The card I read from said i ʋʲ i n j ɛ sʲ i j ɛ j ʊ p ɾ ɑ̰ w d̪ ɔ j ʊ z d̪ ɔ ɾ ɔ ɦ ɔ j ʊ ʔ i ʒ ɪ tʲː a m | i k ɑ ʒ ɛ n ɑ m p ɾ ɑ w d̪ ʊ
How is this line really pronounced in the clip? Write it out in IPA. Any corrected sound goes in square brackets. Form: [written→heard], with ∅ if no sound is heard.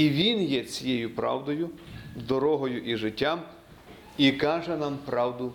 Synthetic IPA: i ʋʲ i n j ɛ [sʲ→t͡sʲ] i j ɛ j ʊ p ɾ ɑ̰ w d̪ ɔ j ʊ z d̪ ɔ ɾ ɔ ɦ ɔ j ʊ ʔ i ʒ ɪ tʲː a m | i k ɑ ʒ ɛ n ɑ m p ɾ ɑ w d̪ ʊ